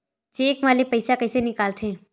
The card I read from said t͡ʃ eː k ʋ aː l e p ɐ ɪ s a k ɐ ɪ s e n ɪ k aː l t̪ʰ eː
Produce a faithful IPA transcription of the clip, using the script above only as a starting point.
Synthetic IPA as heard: t͡ʃ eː k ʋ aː l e p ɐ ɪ s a k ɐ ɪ s e n ɪ k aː l t̪ʰ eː